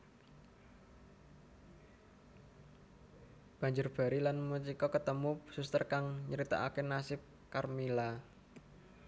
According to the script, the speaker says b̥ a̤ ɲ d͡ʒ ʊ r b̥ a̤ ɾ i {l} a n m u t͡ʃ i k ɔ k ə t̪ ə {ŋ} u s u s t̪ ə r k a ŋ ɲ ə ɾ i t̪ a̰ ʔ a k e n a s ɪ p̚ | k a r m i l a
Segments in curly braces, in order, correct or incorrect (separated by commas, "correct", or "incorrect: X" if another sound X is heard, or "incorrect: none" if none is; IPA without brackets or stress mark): correct, incorrect: m